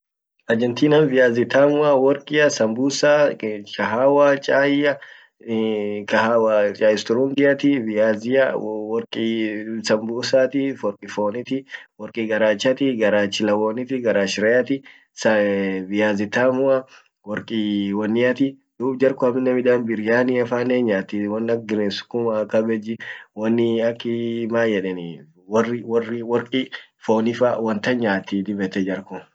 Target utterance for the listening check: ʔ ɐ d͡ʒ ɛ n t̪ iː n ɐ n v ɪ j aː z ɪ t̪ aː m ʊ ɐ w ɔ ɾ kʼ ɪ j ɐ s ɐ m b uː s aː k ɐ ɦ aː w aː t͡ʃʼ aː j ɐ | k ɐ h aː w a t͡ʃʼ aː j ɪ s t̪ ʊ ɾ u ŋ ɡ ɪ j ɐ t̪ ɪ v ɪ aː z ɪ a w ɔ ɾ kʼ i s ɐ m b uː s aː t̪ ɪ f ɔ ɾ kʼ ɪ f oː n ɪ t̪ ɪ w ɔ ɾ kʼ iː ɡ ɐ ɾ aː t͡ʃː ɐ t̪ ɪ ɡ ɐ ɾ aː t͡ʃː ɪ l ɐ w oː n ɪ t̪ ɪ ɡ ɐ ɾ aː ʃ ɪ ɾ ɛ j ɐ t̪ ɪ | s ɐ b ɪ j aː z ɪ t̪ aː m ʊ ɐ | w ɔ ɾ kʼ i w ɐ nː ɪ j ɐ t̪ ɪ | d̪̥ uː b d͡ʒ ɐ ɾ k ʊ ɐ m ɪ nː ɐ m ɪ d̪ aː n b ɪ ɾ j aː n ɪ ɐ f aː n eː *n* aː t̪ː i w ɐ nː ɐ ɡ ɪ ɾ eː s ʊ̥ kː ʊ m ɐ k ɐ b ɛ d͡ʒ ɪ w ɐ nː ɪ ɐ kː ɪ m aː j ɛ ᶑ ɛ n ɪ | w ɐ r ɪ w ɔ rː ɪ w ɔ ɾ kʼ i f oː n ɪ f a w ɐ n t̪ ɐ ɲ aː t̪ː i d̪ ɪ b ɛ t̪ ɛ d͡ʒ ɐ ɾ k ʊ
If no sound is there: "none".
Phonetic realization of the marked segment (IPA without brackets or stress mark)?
ɲ